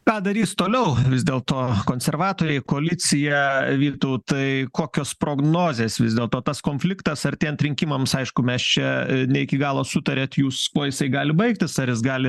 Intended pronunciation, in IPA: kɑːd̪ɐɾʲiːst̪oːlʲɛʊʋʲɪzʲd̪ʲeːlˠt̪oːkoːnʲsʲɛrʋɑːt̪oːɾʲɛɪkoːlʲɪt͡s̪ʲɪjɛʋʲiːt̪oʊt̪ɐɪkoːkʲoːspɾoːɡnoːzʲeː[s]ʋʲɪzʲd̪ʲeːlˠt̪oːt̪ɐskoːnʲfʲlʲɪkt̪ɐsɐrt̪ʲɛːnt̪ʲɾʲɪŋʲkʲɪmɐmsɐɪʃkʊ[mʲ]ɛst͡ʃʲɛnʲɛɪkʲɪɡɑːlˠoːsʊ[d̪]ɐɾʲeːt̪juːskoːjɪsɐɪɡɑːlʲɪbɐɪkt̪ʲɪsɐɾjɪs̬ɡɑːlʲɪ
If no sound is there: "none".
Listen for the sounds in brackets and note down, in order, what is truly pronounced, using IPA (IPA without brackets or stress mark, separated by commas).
s, mʲ, t̪